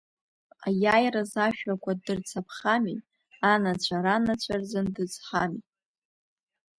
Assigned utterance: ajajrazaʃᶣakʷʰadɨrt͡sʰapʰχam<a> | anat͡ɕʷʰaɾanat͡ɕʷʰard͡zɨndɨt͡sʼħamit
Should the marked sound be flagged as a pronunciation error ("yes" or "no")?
yes